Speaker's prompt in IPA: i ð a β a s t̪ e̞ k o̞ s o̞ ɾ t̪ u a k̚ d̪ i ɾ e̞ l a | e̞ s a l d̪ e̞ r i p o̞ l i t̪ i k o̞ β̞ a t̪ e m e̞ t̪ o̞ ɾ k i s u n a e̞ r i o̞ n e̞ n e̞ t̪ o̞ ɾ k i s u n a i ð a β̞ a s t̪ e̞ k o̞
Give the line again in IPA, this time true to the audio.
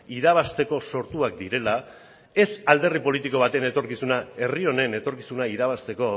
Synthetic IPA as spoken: i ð a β a s t̪ e̞ k o̞ s o̞ ɾ t̪ u a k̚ d̪ i ɾ e̞ l a | e̞ s a l d̪ e̞ r i p o̞ l i t̪ i k o̞ β̞ a t̪ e n e̞ t̪ o̞ ɾ k i s u n a e̞ r i o̞ n e̞ n e̞ t̪ o̞ ɾ k i s u n a i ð a β̞ a s t̪ e̞ k o̞